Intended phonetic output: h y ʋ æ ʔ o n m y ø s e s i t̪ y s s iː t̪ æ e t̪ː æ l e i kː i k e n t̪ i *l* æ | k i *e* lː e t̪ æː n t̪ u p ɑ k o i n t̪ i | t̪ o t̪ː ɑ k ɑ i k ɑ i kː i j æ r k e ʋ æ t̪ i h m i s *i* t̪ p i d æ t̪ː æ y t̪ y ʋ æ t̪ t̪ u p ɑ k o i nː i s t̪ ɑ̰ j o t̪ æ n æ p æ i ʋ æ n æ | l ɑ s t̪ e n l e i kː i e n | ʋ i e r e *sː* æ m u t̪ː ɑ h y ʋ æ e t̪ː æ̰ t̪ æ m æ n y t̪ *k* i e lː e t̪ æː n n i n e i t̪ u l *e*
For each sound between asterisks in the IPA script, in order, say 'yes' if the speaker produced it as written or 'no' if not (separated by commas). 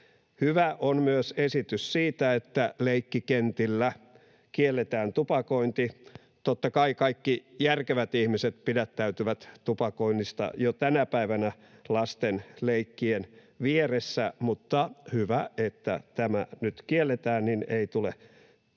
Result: no, yes, no, yes, yes, yes